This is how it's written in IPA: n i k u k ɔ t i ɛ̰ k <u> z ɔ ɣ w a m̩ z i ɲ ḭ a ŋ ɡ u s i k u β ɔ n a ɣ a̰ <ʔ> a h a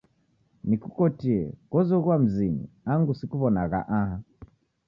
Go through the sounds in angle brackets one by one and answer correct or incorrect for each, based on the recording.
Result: incorrect, correct

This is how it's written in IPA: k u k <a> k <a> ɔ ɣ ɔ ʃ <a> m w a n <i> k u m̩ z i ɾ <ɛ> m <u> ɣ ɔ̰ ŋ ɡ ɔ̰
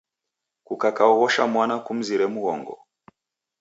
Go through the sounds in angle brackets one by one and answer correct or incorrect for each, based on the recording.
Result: correct, correct, correct, incorrect, correct, correct

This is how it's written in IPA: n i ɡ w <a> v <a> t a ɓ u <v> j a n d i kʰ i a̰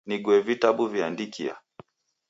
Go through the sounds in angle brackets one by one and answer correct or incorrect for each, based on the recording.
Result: incorrect, incorrect, correct

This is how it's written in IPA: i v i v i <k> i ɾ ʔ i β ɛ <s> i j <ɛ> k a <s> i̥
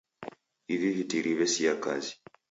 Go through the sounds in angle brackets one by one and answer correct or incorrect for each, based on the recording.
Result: incorrect, correct, incorrect, incorrect

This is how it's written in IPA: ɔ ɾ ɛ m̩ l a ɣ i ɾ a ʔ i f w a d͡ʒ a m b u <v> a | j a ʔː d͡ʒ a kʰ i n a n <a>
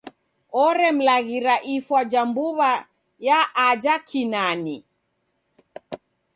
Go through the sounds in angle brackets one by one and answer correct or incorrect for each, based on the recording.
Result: incorrect, incorrect

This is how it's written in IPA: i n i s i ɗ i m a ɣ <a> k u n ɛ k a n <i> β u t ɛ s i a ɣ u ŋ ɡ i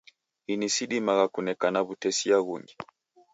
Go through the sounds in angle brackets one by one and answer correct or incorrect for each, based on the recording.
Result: correct, incorrect

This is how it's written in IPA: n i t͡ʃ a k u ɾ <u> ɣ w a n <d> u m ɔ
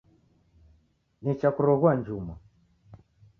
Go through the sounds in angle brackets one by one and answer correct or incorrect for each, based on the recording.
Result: incorrect, incorrect

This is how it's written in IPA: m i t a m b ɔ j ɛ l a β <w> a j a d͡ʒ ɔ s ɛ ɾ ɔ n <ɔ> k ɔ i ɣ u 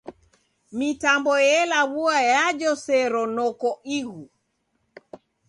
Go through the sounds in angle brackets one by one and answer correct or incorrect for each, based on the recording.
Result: incorrect, correct

